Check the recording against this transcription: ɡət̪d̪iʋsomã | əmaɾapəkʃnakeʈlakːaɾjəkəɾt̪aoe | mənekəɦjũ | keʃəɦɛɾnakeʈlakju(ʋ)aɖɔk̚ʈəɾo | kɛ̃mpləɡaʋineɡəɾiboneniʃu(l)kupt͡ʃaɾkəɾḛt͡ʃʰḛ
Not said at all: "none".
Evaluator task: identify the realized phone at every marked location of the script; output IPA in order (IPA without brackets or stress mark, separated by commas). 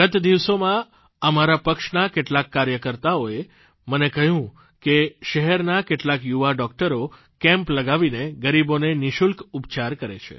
ʋ, l